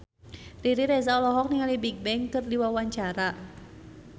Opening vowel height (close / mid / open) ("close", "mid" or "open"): close